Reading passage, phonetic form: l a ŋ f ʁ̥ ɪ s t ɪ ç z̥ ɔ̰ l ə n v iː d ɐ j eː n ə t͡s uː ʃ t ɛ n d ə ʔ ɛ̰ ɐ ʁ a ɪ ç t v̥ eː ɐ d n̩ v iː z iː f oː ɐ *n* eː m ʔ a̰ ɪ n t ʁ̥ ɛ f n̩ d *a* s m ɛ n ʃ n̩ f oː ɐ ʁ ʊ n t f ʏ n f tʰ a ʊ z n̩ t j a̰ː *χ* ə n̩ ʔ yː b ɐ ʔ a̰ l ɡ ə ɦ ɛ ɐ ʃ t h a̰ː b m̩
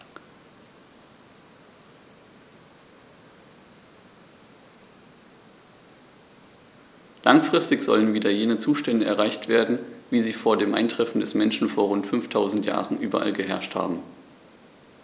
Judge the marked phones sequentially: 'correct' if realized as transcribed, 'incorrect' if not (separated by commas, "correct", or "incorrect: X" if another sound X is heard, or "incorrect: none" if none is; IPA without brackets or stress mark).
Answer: incorrect: d, incorrect: ɛ, incorrect: ʁ